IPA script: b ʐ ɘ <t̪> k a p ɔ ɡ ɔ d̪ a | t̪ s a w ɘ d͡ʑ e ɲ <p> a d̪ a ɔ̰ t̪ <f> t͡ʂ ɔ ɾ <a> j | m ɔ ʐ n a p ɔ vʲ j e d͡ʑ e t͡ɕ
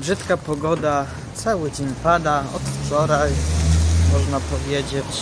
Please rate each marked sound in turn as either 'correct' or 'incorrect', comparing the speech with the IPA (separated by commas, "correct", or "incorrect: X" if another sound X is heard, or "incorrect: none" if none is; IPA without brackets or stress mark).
correct, correct, correct, correct